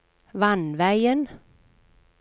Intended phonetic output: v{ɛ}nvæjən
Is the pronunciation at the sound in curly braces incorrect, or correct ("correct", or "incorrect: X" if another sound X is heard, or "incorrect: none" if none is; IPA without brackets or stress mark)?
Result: incorrect: a